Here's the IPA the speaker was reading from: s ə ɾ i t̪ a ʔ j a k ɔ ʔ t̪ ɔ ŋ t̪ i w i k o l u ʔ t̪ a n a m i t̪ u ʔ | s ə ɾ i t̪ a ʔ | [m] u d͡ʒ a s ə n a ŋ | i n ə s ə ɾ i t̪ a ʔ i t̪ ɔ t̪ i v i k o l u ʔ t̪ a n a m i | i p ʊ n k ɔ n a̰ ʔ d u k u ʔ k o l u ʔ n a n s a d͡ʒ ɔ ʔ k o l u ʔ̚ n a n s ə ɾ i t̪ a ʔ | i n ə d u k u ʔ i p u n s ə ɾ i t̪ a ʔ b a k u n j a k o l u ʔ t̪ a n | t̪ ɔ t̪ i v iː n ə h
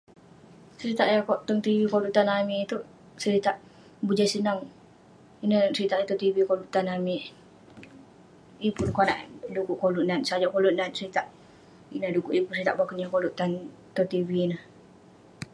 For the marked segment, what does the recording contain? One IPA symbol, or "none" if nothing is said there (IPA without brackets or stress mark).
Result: b